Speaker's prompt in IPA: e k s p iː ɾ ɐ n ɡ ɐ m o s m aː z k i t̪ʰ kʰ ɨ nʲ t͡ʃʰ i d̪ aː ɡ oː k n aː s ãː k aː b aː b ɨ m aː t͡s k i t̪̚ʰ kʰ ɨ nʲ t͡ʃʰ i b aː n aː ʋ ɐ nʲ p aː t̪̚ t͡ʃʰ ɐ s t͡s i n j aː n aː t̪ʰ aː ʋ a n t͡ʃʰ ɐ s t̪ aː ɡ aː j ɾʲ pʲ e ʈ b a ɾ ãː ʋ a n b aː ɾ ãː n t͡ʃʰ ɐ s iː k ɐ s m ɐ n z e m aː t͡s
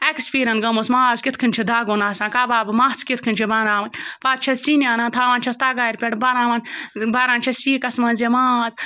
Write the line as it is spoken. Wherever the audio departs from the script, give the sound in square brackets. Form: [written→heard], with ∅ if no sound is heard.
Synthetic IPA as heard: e k s p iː ɾ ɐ n ɡ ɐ m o s m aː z k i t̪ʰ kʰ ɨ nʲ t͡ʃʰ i d̪ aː ɡ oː [k→∅] n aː s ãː k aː b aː b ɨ m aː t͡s k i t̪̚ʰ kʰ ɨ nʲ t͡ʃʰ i b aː n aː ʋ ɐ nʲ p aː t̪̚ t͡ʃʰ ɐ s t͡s i n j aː n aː t̪ʰ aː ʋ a n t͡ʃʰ ɐ s t̪ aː ɡ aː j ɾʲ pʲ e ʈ b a ɾ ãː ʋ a n b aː ɾ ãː n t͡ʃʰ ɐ s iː k ɐ s m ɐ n z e m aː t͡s